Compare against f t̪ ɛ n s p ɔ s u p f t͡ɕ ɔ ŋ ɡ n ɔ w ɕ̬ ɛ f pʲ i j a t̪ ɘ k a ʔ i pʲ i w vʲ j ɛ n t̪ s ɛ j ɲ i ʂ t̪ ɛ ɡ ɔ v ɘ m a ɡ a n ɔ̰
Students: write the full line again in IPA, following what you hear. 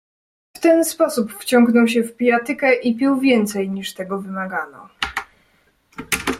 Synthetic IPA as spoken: f t̪ ɛ n s p ɔ s u p f t͡ɕ ɔ ŋ ɡ n ɔ w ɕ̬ ɛ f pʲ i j a t̪ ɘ k ɛ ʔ i pʲ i w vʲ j ɛ n t̪ s ɛ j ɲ i ʂ t̪ ɛ ɡ ɔ v ɘ m a ɡ a n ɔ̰